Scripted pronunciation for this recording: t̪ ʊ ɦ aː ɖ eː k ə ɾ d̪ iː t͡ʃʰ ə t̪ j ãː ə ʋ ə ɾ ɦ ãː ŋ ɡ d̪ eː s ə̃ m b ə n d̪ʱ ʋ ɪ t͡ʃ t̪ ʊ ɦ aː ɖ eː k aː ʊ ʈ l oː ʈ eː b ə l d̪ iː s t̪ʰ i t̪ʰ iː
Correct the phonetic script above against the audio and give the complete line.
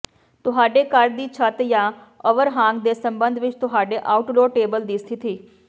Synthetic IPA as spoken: t̪ ʊ ɦ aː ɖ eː k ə ɾ d̪ iː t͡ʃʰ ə t̪ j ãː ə ʋ ə ɾ ɦ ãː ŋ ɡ d̪ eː s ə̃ m b ə n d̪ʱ ʋ ɪ t͡ʃ t̪ ʊ ɦ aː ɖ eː ʔ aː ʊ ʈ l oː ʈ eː b ə l d̪ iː s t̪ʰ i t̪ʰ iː